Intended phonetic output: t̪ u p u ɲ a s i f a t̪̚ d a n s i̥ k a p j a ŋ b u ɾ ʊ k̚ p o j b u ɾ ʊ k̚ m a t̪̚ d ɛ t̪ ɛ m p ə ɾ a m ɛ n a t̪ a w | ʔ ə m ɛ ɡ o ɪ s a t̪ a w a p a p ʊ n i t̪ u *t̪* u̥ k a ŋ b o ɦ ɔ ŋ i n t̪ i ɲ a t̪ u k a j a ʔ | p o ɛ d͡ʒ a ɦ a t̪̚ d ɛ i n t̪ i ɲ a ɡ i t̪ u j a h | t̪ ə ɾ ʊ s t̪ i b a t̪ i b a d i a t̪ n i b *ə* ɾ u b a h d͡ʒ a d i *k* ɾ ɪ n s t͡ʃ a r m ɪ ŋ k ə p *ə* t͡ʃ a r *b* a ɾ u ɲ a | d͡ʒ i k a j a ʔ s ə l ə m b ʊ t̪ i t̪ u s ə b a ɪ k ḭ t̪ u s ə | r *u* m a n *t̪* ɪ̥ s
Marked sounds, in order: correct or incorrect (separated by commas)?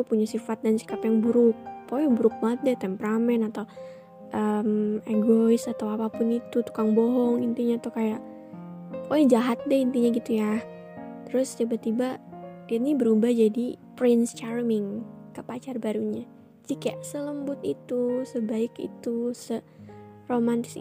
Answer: correct, correct, incorrect, incorrect, correct, incorrect, correct